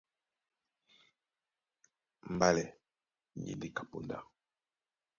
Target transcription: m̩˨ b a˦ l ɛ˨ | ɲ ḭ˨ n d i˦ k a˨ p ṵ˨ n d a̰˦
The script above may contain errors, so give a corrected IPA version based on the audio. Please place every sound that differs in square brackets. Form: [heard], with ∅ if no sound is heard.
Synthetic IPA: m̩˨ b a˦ l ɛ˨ | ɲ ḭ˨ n d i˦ k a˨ p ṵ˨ n d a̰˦